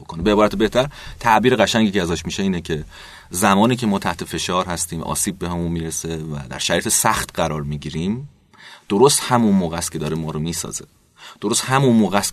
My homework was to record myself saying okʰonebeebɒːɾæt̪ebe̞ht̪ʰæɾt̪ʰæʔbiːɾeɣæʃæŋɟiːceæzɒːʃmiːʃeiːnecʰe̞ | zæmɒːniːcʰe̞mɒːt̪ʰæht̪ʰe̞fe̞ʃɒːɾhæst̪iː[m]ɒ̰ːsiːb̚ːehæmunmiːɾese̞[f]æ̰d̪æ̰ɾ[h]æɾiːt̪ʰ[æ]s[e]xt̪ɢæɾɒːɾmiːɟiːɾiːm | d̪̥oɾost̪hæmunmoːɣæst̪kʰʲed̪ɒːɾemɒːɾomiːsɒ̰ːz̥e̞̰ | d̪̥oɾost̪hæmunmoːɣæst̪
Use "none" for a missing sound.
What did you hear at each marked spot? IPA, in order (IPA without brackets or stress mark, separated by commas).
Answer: m, v, ʃ, e, æ